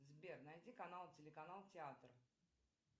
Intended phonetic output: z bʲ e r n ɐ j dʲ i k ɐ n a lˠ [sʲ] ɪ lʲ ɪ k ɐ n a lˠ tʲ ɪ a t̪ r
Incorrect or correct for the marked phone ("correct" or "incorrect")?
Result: incorrect